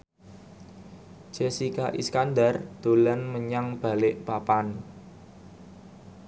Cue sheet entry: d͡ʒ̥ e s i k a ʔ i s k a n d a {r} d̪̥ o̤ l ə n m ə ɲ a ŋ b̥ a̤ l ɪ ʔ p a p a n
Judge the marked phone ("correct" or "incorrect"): correct